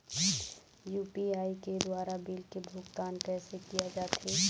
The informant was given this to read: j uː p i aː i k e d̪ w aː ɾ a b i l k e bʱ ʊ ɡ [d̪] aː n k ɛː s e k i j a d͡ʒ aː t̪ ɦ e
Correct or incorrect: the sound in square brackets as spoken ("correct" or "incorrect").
incorrect